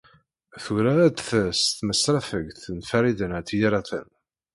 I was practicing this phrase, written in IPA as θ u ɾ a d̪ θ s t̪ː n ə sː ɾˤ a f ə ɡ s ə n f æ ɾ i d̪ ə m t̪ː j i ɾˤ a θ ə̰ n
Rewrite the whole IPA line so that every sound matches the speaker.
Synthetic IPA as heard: θ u ɾ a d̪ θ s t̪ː m ə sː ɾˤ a f ə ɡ θ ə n f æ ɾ i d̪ ə n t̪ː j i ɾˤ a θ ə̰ n